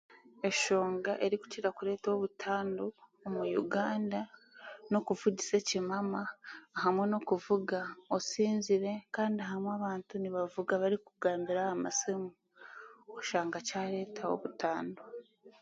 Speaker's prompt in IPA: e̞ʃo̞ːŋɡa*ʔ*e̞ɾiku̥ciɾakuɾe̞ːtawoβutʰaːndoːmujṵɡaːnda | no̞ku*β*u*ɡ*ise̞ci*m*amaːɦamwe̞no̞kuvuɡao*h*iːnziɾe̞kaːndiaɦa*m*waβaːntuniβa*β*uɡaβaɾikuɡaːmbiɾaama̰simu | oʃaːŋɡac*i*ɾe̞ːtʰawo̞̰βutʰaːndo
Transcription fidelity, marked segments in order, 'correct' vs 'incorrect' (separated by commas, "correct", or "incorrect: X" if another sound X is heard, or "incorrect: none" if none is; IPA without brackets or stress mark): correct, incorrect: v, incorrect: ɟ, correct, incorrect: s, correct, incorrect: v, incorrect: a